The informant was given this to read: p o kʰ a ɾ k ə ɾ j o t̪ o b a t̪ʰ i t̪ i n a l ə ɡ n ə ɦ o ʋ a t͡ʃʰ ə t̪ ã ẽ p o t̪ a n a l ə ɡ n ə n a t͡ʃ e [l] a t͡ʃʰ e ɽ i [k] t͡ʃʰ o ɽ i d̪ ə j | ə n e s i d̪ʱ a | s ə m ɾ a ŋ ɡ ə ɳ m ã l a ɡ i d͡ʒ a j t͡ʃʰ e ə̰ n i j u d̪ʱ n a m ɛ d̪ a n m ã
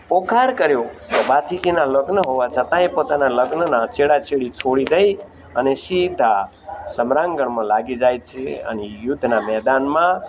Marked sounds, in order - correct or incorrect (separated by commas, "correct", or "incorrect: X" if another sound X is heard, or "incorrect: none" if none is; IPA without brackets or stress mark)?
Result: incorrect: ɽ, incorrect: none